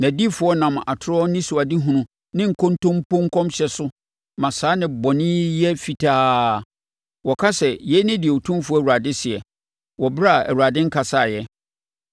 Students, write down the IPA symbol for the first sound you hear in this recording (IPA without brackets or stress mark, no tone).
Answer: n